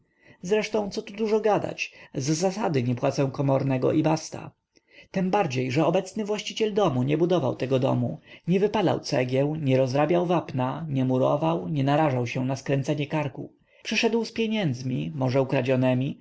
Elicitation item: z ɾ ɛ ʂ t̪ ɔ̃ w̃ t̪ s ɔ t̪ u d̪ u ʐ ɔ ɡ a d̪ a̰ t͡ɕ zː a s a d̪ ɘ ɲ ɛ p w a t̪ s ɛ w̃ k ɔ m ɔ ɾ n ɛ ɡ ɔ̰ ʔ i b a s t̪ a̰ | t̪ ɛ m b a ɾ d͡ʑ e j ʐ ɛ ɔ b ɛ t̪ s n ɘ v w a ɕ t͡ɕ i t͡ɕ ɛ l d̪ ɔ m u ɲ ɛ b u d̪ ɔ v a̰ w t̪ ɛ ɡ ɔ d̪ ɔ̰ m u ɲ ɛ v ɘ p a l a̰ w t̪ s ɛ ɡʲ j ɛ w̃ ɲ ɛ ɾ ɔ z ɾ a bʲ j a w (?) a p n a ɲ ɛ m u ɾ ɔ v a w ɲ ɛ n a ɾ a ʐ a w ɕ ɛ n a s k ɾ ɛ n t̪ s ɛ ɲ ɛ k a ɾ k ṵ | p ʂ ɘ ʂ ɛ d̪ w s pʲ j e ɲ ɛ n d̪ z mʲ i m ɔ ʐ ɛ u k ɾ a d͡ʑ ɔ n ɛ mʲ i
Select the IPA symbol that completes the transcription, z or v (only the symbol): v